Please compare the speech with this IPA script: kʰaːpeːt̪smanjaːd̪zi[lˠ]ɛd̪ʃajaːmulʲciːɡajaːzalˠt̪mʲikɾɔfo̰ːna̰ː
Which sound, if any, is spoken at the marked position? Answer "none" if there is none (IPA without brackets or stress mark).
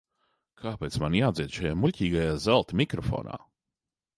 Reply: none